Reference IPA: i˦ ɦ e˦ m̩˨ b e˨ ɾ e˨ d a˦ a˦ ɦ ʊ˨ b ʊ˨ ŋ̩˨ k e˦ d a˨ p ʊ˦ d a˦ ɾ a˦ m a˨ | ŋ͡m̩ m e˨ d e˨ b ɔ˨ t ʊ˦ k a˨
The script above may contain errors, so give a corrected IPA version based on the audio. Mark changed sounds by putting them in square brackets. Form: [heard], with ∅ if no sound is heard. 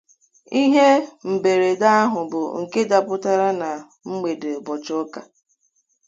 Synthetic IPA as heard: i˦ ɦ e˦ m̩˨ b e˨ ɾ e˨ d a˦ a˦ ɦ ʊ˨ b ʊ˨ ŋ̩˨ k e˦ d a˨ p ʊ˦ [t] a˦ ɾ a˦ [n] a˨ | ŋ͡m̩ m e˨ d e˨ b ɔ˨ [t͡ʃ] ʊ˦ k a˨